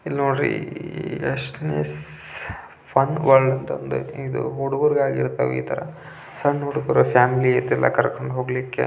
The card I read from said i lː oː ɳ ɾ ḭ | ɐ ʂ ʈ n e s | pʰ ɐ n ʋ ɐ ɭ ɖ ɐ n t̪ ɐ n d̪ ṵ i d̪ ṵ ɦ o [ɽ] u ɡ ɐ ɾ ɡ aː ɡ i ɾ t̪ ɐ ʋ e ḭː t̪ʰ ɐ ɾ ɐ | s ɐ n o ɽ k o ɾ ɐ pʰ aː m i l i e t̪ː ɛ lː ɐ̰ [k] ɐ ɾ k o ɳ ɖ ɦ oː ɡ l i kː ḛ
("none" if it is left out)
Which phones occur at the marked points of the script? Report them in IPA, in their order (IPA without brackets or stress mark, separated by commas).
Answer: ɽ, k